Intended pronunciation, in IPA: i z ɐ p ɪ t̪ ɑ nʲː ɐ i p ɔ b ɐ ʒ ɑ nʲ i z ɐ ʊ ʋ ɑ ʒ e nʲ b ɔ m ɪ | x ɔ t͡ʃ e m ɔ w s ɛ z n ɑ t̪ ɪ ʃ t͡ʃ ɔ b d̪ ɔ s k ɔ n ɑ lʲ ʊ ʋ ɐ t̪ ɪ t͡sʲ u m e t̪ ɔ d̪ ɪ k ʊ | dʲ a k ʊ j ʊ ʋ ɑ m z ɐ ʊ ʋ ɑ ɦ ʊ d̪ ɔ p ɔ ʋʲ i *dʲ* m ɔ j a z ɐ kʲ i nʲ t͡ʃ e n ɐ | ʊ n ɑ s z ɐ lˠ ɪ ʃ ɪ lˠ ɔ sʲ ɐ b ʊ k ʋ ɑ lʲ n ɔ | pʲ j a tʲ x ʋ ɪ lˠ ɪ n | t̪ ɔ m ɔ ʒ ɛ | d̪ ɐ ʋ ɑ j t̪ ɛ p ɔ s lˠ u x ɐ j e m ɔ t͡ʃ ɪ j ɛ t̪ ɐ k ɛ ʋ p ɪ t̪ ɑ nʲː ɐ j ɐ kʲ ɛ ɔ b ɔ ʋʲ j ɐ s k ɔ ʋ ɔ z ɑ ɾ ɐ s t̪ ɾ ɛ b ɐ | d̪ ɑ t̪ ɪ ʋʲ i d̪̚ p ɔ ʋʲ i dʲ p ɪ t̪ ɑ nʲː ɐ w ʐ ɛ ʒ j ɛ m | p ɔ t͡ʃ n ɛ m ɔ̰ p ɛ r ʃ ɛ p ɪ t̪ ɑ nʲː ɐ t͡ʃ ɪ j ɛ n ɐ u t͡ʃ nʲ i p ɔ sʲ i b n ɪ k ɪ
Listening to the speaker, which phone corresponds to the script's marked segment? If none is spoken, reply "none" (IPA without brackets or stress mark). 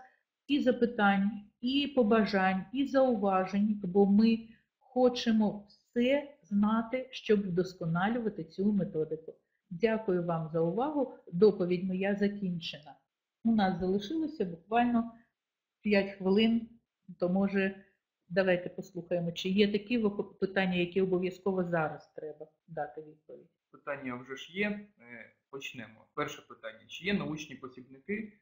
dʲ